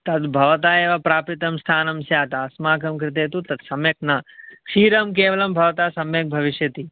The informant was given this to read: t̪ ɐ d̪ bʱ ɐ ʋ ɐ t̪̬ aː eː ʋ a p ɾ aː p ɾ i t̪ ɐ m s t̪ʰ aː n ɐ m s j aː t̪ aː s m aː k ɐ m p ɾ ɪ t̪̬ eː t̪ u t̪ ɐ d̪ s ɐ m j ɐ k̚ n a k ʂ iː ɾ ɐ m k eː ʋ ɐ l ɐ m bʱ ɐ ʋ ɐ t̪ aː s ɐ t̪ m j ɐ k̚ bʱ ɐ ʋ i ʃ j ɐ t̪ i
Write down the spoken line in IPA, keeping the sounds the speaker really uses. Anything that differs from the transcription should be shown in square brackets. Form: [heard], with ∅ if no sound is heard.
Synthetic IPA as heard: t̪ ɐ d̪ bʱ ɐ ʋ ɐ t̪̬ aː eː ʋ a p ɾ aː p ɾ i t̪ ɐ m s t̪ʰ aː n ɐ m s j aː t̪ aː s m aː k ɐ m [k] ɾ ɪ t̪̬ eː t̪ u t̪ ɐ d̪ s ɐ m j ɐ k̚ n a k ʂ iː ɾ ɐ m k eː ʋ ɐ l ɐ m bʱ ɐ ʋ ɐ t̪ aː s ɐ [∅] m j ɐ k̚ bʱ ɐ ʋ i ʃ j ɐ t̪ i